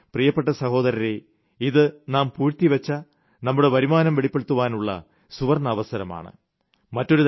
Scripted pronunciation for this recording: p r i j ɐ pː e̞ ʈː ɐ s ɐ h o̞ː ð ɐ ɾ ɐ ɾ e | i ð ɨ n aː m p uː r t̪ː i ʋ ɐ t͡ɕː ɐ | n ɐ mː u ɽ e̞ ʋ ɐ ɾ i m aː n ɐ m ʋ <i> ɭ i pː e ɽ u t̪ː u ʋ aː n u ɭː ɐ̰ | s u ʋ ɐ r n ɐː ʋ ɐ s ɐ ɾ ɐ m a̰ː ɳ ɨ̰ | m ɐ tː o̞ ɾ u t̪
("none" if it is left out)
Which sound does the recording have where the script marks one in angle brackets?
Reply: e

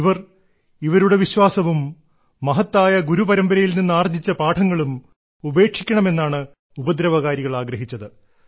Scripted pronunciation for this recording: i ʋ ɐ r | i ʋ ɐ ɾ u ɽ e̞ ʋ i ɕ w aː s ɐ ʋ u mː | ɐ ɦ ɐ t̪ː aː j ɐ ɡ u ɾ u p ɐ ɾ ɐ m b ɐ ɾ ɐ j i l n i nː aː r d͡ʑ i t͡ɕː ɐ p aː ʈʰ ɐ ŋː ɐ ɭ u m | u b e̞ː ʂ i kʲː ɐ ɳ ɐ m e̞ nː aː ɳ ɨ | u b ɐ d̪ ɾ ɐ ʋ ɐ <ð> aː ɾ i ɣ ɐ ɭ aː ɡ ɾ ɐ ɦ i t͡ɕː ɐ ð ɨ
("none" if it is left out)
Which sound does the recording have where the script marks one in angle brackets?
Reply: ɣ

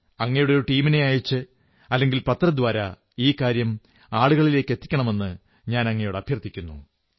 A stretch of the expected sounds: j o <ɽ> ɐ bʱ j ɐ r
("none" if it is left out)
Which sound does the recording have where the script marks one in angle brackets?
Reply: ɽ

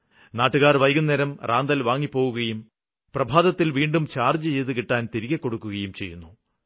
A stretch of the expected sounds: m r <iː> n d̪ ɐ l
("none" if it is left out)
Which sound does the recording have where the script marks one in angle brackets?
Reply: aː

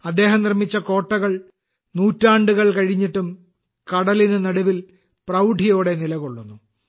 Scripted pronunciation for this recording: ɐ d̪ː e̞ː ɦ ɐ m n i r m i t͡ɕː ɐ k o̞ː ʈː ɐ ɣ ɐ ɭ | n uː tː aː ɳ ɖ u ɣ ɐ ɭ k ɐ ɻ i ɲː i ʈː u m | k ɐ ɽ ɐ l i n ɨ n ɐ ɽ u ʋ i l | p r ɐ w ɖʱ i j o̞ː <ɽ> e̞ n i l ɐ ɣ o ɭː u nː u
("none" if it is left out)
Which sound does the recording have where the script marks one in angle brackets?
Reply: ɽ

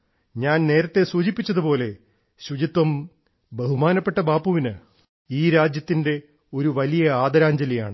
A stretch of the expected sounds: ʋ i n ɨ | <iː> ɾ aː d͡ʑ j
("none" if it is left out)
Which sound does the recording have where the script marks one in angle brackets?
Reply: iː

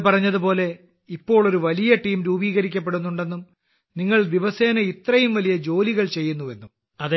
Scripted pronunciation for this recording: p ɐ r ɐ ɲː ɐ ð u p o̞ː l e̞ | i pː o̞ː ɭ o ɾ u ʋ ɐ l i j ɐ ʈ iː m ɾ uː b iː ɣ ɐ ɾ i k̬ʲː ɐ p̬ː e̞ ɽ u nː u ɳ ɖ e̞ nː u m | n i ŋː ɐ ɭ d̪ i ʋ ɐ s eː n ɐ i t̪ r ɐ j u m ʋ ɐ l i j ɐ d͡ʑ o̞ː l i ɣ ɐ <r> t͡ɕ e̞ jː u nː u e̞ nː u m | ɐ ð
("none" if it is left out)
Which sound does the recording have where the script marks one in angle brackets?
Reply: ɭ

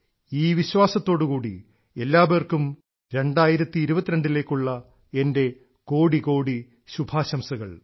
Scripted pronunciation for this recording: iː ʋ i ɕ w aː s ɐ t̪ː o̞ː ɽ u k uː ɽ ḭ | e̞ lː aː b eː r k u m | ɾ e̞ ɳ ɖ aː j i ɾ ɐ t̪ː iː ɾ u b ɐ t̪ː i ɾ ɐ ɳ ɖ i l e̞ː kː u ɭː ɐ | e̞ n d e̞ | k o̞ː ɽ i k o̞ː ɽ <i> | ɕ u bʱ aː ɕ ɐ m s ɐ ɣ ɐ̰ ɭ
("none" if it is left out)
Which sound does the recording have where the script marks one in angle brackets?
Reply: i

